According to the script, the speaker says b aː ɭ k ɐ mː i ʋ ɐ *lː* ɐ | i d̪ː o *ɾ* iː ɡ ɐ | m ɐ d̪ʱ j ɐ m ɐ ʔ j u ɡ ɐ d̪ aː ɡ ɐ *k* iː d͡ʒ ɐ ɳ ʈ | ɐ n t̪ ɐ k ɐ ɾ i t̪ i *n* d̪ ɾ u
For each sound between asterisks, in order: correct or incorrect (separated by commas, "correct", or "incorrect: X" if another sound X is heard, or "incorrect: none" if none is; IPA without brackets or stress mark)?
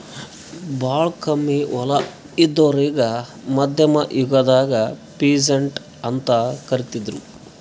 incorrect: l, correct, incorrect: p, incorrect: none